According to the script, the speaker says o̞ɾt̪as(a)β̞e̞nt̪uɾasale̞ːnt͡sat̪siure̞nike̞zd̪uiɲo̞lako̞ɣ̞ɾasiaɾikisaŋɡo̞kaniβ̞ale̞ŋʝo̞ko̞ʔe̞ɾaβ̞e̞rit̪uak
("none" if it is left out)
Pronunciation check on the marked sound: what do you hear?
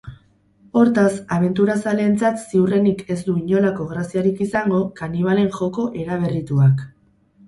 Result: a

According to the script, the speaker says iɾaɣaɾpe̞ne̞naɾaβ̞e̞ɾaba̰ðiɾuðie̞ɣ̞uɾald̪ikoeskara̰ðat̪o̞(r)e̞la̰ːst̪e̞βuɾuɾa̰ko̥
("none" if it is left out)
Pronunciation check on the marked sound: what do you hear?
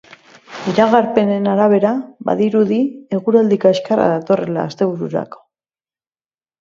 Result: r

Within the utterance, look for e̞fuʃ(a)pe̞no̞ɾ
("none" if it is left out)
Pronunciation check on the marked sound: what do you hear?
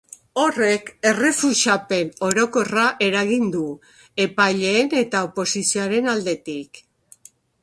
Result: a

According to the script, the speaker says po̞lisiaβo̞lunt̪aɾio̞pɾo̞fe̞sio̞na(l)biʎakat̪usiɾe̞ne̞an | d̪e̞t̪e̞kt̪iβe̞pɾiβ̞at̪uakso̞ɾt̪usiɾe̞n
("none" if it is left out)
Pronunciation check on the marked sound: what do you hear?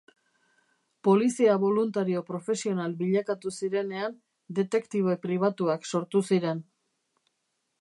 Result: l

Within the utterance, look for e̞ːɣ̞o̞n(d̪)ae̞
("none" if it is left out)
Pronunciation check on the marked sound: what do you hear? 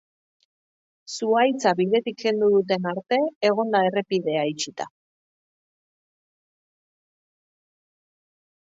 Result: d̪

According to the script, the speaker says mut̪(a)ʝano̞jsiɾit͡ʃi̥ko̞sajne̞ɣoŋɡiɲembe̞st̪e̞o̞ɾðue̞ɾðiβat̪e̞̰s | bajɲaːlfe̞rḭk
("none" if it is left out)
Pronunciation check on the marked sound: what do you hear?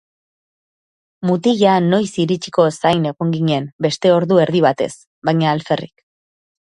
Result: i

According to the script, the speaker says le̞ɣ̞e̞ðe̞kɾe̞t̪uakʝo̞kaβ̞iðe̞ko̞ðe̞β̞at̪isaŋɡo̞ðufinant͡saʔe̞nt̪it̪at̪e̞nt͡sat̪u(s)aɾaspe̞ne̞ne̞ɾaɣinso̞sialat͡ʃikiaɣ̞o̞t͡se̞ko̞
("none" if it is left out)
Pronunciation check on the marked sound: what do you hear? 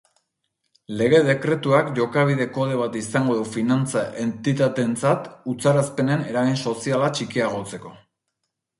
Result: t͡s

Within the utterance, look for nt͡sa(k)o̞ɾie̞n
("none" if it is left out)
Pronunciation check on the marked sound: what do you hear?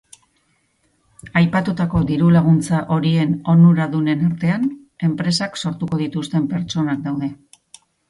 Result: ʔ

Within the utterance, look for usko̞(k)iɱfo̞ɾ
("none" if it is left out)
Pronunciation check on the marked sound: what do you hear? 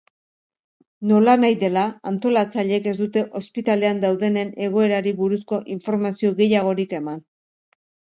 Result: ʔ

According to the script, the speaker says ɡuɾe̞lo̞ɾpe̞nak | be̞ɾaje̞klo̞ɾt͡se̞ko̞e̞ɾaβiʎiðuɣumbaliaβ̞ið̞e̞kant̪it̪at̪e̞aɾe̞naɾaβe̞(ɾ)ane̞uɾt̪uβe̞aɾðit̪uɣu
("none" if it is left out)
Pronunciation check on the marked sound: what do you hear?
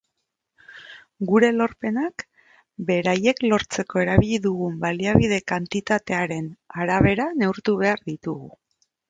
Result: ɾ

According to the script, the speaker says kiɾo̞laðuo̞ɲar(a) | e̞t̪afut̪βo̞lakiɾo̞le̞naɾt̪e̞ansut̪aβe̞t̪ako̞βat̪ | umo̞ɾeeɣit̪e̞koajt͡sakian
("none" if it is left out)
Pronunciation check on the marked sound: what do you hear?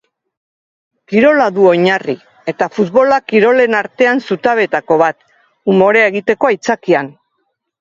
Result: i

